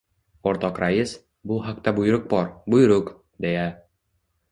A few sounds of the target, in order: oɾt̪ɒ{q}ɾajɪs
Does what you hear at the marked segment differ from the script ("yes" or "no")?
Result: no